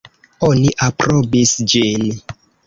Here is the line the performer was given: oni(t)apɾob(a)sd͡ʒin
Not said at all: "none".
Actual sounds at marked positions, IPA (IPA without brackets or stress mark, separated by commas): ʔ, i